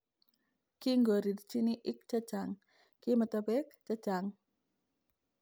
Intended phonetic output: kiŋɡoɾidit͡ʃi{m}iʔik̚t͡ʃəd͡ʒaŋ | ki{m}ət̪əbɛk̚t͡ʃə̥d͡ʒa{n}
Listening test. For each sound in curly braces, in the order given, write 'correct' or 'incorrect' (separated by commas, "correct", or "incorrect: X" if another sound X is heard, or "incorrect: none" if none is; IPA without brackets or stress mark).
incorrect: n, correct, incorrect: ŋ